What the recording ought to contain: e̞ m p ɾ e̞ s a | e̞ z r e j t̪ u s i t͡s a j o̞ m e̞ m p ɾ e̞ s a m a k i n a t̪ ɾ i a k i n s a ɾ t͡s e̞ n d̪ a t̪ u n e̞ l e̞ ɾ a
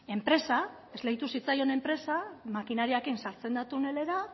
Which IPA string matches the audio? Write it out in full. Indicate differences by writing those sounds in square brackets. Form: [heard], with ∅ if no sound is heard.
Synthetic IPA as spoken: e̞ m p ɾ e̞ s a | e̞ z [l] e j t̪ u s i t͡s a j o̞ [n] e̞ m p ɾ e̞ s a m a k i n a [∅] ɾ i a k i n s a ɾ t͡s e̞ n d̪ a t̪ u n e̞ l e̞ ɾ a